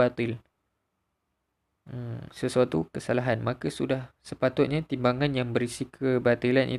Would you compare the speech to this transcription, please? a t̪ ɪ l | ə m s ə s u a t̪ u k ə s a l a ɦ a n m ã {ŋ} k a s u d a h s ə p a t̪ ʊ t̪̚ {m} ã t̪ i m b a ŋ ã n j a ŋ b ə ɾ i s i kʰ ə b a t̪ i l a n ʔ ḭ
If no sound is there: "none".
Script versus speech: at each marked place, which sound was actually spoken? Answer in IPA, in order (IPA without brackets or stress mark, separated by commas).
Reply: none, ɲ